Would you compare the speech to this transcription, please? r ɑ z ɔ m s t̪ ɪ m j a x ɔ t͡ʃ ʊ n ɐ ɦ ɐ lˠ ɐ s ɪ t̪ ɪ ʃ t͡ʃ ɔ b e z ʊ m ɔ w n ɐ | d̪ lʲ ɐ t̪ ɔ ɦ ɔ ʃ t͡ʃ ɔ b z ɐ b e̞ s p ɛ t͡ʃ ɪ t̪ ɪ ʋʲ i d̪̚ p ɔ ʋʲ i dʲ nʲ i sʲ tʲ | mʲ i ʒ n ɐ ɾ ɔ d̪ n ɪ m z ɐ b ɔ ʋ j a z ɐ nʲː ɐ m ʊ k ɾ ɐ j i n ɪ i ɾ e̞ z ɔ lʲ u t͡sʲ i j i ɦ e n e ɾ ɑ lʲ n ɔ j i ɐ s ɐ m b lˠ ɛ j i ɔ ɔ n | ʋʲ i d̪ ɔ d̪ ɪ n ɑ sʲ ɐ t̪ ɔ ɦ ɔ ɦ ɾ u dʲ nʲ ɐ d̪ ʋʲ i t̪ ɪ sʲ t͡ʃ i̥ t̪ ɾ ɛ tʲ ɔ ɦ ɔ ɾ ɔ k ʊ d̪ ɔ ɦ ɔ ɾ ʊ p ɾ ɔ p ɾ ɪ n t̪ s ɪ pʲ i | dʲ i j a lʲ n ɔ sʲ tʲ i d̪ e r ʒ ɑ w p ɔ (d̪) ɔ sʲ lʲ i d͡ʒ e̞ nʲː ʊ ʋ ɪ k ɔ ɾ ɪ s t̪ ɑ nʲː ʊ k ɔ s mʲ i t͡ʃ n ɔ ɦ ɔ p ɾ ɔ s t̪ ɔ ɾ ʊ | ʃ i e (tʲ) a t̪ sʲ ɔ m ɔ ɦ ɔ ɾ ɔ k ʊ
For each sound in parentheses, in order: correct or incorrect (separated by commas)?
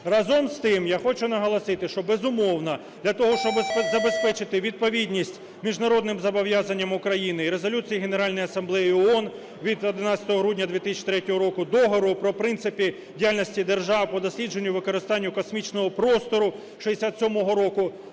correct, incorrect